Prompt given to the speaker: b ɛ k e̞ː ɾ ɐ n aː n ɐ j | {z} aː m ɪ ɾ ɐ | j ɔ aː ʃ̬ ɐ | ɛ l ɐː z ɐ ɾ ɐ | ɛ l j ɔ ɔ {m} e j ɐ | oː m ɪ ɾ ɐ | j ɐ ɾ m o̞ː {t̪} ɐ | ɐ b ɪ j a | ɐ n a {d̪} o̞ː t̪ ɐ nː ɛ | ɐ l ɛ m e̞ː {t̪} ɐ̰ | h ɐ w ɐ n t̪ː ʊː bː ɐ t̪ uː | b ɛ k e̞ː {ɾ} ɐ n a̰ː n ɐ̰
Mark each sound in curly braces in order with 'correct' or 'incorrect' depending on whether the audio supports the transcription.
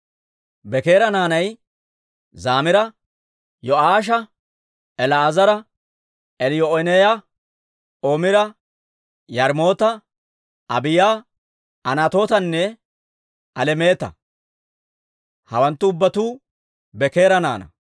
correct, incorrect: n, correct, incorrect: t̪, correct, correct

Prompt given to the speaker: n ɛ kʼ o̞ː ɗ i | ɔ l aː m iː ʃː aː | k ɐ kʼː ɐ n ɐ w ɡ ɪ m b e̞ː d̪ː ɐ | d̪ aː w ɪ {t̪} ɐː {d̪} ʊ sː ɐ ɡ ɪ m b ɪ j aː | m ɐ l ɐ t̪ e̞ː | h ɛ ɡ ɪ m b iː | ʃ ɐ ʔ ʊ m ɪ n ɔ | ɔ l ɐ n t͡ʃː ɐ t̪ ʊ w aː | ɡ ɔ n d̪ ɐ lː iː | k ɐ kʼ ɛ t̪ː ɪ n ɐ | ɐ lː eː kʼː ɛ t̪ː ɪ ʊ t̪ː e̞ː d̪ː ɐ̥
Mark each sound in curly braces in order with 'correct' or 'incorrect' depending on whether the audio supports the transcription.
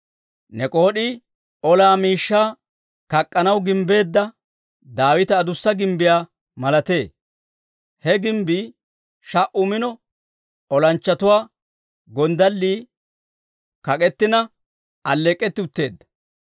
correct, correct

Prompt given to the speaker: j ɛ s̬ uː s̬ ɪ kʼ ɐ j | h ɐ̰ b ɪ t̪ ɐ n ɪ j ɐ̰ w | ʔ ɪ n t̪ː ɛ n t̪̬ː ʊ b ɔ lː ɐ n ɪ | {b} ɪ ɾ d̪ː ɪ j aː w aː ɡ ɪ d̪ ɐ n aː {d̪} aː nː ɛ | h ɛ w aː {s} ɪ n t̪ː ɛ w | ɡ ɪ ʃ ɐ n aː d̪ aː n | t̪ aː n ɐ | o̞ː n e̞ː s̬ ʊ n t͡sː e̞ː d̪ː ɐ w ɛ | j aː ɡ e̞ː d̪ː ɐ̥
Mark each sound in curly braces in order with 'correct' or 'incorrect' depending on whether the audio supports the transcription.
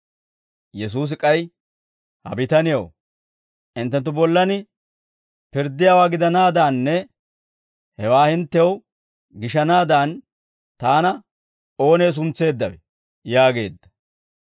incorrect: p, correct, incorrect: h

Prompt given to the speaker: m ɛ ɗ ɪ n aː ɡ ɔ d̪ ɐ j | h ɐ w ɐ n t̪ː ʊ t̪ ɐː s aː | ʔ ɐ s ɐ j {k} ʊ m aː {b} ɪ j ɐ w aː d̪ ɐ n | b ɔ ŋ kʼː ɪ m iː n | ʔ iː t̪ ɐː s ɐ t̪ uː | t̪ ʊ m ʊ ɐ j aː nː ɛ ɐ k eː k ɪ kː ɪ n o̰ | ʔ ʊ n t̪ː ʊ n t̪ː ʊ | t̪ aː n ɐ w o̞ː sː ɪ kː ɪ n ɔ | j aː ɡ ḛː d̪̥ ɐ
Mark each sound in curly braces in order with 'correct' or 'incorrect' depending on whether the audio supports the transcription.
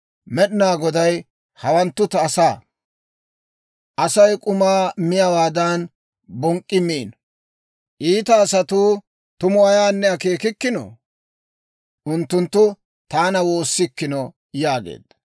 incorrect: kʼ, incorrect: m

